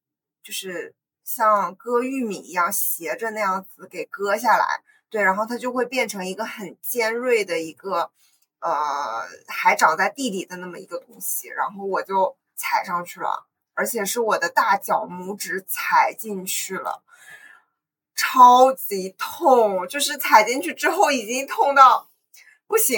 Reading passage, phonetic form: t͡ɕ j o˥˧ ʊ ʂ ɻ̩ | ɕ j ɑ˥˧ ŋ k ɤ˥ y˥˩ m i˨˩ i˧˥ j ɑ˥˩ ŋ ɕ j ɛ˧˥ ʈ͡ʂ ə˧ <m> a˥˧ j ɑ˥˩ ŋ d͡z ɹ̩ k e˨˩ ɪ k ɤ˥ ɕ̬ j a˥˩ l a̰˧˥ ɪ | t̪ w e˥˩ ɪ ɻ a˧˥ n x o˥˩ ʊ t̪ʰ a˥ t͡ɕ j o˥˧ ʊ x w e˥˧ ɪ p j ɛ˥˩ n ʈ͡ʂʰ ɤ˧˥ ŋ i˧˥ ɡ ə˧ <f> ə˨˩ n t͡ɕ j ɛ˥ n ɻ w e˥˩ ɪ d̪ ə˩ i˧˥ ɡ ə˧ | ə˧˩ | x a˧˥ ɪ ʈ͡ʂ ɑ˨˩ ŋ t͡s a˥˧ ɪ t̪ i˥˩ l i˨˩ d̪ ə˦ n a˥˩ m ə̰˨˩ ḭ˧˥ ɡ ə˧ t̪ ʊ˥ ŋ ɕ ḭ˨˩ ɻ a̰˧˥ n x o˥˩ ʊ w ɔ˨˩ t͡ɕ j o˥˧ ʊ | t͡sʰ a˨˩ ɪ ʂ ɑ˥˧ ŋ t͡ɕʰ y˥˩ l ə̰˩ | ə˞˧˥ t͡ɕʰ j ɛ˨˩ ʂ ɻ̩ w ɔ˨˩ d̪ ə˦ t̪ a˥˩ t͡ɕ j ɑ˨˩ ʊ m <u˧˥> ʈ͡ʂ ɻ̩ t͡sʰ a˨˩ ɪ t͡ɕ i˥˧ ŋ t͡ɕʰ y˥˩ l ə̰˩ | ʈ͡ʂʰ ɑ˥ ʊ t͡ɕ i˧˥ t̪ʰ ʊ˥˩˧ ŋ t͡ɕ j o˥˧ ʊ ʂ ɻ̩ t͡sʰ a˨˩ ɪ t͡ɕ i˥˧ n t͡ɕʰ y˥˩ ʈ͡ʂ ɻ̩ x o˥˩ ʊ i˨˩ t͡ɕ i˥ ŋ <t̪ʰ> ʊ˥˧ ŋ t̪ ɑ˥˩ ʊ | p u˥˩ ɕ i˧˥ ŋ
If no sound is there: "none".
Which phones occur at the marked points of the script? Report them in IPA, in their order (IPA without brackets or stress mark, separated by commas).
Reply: n, x, u˧˥, t̪ʰ